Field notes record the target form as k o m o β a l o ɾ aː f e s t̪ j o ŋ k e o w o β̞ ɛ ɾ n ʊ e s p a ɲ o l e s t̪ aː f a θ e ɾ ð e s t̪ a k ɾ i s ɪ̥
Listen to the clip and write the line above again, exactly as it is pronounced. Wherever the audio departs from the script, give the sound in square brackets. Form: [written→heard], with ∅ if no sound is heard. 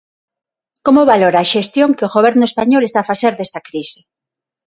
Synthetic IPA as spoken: k o m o β a l o ɾ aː [f→ʃ] e s t̪ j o ŋ k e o [w→ɣ] o β̞ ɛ ɾ n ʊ e s p a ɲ o l e s t̪ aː f a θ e ɾ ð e s t̪ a k ɾ i s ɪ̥